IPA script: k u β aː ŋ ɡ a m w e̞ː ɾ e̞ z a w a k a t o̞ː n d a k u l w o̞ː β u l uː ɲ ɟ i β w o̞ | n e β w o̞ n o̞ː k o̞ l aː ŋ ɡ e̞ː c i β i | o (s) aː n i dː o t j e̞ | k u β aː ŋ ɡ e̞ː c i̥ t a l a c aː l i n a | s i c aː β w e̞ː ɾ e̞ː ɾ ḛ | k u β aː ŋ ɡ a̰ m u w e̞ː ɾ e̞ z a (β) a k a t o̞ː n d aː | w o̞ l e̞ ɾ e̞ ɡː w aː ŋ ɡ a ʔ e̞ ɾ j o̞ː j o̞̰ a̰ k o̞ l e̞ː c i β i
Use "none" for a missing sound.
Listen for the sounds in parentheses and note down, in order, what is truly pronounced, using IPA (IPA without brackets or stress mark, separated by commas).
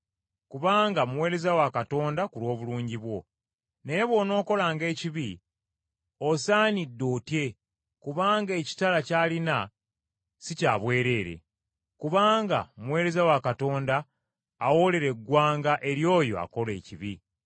s, w